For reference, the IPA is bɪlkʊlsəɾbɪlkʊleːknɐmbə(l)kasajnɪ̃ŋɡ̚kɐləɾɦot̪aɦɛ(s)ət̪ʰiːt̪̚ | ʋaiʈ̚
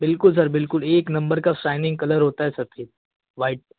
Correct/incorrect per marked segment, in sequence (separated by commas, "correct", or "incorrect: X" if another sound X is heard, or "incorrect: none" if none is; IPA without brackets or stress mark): incorrect: ɾ, correct